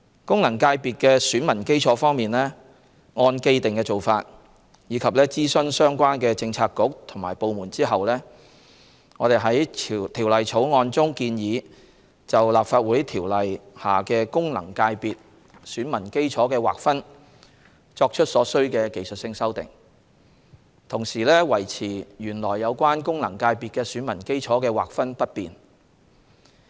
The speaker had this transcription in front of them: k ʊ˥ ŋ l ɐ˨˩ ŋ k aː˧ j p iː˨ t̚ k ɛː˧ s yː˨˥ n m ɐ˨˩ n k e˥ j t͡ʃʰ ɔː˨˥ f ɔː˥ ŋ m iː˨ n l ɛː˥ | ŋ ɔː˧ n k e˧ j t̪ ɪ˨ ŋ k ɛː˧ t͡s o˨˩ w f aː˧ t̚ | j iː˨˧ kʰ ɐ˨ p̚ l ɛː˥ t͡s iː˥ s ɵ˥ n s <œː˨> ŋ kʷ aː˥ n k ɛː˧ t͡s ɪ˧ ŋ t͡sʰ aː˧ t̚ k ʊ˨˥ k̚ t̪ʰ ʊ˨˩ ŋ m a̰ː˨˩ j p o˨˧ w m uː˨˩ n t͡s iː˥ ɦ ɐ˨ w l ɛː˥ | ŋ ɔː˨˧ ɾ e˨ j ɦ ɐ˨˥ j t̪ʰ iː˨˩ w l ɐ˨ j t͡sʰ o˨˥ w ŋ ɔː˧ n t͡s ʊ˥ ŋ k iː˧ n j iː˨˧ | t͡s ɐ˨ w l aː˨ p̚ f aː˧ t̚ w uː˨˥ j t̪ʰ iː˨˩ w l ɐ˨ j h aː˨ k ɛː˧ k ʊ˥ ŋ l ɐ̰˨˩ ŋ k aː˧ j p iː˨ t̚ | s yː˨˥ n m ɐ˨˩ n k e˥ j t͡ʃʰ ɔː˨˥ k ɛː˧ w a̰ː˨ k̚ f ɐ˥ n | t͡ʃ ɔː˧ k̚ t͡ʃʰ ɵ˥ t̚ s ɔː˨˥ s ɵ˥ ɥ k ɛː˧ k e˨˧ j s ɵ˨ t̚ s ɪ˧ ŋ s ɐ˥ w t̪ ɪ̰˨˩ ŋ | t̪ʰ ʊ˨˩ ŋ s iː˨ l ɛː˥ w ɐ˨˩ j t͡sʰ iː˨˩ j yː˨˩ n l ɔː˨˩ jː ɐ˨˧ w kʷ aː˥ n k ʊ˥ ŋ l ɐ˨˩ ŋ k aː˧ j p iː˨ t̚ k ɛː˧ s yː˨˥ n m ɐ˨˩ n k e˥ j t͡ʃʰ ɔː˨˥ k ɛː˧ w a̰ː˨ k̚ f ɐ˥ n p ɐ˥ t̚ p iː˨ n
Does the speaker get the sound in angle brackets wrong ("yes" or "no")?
yes